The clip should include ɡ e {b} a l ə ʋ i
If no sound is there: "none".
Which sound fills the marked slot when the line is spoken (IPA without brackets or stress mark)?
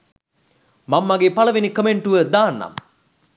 p